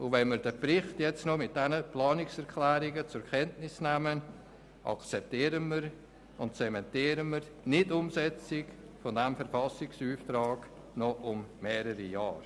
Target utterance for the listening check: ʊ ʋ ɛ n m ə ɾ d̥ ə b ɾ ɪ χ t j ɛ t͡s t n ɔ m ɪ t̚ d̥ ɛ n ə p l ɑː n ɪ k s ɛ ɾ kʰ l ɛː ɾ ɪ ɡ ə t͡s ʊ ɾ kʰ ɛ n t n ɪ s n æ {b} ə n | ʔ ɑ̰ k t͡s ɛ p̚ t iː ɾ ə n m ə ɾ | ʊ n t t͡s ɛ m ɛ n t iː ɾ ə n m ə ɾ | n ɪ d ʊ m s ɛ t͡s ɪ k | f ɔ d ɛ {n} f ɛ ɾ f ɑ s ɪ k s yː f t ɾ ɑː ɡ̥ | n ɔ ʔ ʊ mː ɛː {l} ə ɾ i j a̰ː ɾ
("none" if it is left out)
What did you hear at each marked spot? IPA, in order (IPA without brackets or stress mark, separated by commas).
m, m, ɾ